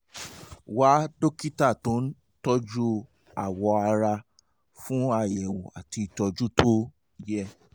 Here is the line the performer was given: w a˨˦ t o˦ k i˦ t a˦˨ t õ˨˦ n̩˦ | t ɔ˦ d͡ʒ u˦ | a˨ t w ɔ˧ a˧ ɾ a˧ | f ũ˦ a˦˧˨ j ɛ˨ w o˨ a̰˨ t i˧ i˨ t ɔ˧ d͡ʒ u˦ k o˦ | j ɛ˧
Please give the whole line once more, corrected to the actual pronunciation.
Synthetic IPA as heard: w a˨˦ d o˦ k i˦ t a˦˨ t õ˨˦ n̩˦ | t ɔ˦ d͡ʒ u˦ | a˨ w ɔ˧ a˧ ɾ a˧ | f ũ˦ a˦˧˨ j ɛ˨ w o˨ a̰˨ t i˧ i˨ t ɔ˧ d͡ʒ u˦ t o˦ | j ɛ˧